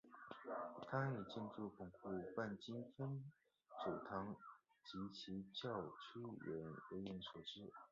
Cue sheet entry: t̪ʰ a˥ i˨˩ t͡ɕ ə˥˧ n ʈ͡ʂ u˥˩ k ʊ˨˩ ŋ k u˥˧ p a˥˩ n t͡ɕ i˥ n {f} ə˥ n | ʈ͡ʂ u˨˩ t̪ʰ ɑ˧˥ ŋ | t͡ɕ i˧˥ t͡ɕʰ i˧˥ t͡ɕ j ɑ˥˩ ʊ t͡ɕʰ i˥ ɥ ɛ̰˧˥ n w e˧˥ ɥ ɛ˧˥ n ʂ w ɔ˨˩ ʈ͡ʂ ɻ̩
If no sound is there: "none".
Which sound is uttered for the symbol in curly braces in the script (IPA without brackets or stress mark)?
f